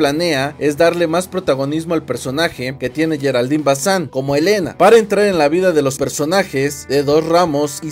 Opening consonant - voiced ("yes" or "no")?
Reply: yes